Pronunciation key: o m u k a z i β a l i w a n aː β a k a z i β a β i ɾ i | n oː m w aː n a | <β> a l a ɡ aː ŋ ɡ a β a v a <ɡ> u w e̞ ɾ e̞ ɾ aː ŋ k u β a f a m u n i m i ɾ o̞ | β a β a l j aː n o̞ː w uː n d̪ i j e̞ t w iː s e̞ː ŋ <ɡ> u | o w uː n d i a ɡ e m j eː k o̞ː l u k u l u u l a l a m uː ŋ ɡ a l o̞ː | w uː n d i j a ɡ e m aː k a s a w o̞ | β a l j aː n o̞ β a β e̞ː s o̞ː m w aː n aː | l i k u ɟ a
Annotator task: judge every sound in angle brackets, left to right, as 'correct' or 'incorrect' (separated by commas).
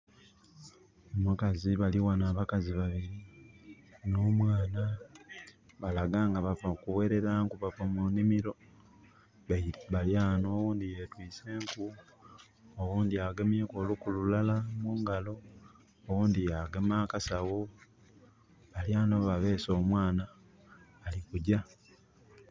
correct, incorrect, incorrect